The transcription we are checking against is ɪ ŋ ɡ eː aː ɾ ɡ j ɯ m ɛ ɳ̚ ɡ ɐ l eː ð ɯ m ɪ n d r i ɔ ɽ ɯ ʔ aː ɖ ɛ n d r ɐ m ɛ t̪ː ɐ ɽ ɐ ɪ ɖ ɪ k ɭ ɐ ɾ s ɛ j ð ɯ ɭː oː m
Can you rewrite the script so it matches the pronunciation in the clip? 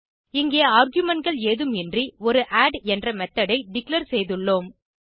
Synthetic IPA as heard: ɪ ŋ ɡ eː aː ɾ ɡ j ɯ m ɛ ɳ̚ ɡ ɐ ɭ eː ð ɯ m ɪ n d r i ɔ ɾ ɯ ʔ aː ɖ ɛ n d r ɐ m ɛ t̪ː ɐ ɽ ɐ ɪ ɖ ɪ k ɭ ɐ ɾ s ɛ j ð ɯ ɭː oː m